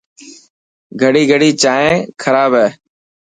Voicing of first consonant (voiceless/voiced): voiced